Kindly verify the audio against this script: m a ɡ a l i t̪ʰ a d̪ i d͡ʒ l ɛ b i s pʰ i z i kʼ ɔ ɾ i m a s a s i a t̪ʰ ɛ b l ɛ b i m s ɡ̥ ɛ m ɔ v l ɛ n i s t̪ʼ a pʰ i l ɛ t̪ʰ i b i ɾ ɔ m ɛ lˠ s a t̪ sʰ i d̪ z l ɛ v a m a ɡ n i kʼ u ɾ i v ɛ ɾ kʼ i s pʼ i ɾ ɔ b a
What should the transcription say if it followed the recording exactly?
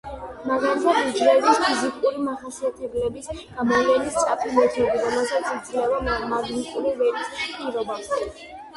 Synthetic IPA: m a ɡ a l i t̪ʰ a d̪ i d͡ʒ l ɛ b i s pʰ i z i kʼ u ɾ i m a χ a s i a t̪ʰ ɛ b l ɛ b i s ɡ̥ a m ɔ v l ɛ n i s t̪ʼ a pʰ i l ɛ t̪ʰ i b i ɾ ɔ m ɛ lˠ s a t̪ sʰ i d̪ z l ɛ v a m a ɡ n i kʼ u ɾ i v ɛ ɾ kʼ i s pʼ i ɾ ɔ b a